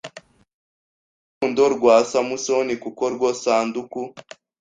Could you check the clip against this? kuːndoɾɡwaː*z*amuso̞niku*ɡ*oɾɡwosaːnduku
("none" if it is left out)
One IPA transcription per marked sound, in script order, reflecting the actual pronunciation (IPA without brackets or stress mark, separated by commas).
s, k